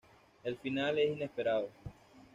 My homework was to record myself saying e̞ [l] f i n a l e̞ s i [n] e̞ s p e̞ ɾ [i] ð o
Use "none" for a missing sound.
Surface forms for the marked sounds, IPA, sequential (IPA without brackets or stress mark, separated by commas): l, n, a